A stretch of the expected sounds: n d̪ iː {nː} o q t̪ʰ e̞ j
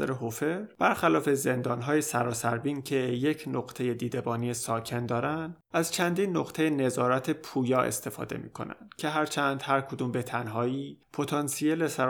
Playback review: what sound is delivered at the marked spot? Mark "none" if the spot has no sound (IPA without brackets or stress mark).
nː